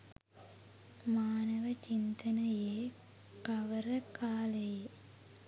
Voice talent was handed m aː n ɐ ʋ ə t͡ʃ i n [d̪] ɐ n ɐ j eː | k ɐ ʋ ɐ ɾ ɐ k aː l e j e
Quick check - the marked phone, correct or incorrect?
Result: incorrect